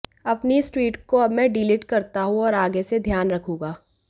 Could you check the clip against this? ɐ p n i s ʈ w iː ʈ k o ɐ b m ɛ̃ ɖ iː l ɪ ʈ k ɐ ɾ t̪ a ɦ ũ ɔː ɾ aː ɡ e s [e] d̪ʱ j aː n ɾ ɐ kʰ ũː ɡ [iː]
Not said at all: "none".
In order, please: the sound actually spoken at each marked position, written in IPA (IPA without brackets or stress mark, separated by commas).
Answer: e, aː